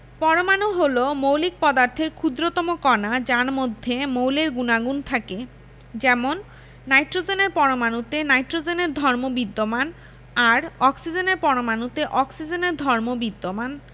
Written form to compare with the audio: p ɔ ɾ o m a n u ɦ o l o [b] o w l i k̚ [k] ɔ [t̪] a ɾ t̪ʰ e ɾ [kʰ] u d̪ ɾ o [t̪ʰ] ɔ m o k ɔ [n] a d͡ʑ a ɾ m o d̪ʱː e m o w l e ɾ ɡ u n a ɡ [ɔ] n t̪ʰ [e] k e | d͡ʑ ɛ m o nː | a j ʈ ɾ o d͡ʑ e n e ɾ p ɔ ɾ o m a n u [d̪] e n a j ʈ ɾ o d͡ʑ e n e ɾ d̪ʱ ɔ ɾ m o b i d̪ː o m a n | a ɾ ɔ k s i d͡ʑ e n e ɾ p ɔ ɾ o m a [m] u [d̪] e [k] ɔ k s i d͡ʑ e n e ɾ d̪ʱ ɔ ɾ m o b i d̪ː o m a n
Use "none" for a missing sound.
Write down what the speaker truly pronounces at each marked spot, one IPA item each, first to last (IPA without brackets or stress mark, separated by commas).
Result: m, p, d̪, kʰ, t̪, n, u, a, t̪, n, t̪, ʔ